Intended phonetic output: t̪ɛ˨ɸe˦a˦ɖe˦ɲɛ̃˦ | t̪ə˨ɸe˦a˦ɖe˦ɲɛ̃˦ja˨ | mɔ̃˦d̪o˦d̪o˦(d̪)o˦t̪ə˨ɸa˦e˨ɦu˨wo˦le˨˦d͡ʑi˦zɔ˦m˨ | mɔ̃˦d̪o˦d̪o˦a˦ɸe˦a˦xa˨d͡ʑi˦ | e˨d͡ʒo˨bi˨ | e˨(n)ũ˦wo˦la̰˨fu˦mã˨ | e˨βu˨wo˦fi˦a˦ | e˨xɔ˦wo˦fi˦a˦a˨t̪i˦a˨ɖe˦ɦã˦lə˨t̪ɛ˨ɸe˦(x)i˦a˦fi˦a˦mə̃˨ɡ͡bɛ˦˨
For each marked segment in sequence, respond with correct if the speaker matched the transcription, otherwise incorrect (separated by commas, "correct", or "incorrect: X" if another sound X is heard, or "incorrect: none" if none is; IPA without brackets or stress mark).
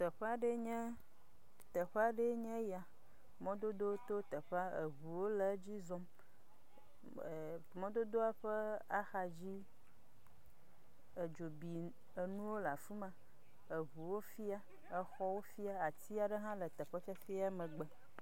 incorrect: t̪, correct, incorrect: f